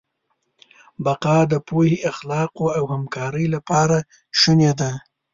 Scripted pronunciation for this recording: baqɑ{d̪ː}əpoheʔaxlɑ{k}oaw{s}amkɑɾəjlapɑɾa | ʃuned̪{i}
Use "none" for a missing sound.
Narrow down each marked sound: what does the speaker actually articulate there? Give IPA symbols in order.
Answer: d̪, q, h, a

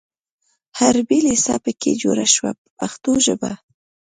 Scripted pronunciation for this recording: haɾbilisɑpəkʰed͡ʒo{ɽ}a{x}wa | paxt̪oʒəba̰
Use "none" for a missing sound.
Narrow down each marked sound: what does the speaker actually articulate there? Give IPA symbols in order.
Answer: ɾ, ʃ

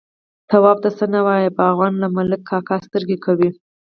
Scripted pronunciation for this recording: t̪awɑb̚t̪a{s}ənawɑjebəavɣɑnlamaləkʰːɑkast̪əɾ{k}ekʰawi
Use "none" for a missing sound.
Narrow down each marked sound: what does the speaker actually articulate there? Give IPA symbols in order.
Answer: s, ɡ

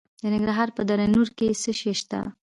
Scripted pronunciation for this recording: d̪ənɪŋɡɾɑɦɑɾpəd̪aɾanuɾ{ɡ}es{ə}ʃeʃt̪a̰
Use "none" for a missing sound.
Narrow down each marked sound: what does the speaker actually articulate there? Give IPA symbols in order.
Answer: k, ə

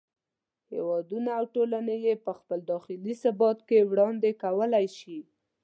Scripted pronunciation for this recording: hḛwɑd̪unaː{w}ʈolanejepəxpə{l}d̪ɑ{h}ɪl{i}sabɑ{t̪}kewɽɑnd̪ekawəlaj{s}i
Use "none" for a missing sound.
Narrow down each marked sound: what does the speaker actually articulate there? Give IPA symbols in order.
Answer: w, l, x, i, t̪, ʃ

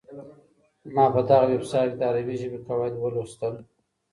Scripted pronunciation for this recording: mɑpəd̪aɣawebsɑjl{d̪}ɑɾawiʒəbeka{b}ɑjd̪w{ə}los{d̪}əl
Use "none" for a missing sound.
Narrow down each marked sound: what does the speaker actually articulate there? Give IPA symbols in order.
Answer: d̪, w, ə, t̪

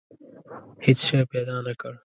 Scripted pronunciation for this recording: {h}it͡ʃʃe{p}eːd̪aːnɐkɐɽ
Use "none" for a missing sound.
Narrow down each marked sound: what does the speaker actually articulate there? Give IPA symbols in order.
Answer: h, p

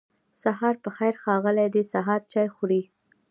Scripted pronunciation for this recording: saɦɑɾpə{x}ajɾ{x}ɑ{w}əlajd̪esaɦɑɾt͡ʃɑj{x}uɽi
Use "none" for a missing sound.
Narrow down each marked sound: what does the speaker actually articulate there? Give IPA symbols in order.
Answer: x, x, ɣ, x

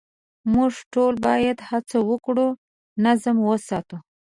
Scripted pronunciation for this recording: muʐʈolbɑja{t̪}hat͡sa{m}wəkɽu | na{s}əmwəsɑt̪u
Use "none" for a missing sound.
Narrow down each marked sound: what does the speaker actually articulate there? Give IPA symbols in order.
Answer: d̪, none, z

